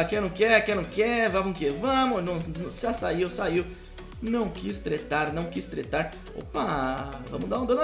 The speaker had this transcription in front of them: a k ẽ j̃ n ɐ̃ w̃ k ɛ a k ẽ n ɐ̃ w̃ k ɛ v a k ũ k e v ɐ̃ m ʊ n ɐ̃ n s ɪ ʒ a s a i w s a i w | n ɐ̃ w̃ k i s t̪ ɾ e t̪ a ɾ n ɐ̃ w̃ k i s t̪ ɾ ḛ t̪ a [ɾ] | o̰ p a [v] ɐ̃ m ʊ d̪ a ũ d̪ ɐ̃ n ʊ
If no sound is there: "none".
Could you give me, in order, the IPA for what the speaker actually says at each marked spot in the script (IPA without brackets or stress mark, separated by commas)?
ɾ, v